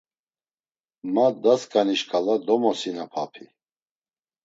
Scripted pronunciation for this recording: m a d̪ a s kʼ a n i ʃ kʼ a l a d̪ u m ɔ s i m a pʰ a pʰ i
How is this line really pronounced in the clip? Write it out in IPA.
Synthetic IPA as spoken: m a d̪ a s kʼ a n i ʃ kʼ a l a d̪ ɔ m ɔ s i n a pʰ a pʰ i